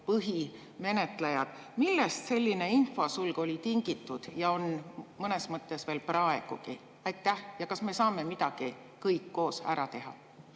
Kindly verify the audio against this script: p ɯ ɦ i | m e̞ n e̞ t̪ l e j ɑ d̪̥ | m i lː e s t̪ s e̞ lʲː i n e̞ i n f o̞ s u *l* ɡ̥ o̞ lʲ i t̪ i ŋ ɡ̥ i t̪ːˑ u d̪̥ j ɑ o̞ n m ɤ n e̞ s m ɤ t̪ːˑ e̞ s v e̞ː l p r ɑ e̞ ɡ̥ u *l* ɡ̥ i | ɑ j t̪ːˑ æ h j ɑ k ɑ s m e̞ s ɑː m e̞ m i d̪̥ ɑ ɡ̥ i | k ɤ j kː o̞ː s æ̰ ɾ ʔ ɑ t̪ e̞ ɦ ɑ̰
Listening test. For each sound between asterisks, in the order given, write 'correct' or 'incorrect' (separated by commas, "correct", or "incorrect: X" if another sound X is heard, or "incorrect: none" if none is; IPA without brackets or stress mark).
correct, incorrect: none